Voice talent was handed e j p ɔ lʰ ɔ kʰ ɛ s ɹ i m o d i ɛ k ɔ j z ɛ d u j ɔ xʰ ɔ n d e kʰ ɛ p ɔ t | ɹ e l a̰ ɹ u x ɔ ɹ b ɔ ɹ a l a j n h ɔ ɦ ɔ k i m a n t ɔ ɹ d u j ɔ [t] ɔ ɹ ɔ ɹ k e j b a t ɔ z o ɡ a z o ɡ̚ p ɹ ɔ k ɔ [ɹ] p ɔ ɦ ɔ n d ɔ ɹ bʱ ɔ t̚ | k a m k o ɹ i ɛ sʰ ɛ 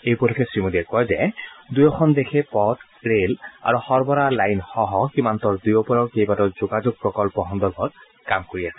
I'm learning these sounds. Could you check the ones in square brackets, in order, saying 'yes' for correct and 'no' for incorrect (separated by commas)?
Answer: no, no